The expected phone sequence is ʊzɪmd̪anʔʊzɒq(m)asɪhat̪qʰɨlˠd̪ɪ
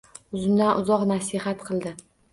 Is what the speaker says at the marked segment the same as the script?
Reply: no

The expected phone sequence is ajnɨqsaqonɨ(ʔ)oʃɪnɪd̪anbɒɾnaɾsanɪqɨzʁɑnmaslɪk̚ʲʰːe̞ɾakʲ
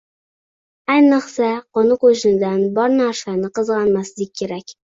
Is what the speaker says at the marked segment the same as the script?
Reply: no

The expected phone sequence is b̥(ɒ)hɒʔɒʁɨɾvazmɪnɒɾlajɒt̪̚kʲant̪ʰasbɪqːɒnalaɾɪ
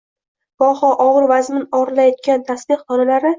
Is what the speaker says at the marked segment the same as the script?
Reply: yes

